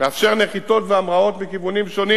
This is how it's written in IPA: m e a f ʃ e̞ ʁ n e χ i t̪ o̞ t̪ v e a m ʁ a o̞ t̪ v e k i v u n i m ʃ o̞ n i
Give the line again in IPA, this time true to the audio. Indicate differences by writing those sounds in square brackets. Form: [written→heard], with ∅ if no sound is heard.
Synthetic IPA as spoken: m e a f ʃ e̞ ʁ n e χ i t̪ o̞ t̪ v e a m ʁ a o̞ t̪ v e k i v u n i m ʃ o̞ n i